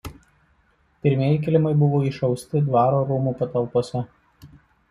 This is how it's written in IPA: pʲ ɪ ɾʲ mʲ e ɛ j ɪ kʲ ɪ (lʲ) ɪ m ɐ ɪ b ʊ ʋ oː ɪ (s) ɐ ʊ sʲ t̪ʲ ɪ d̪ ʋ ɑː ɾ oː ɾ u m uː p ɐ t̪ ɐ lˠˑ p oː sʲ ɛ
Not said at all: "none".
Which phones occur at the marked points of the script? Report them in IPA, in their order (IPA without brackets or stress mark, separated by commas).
lʲ, ʃ